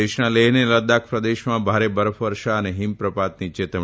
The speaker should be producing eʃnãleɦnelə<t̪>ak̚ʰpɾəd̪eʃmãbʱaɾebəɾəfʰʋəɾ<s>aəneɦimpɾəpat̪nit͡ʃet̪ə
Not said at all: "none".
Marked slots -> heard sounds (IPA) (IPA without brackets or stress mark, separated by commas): d̪, ʃ